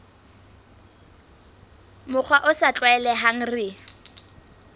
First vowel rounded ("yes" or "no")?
yes